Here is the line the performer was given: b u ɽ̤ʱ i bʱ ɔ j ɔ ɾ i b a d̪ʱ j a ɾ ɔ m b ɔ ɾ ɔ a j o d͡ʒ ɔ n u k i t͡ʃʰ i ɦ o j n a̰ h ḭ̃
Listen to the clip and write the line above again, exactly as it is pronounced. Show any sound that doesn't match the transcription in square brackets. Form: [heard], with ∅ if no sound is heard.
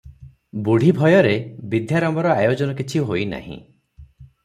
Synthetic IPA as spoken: b u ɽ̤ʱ i bʱ ɔ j ɔ ɾ [e] b [i] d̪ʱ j a ɾ ɔ m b ɔ ɾ ɔ a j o d͡ʒ ɔ n [ɔ] k i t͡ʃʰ i ɦ o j n a̰ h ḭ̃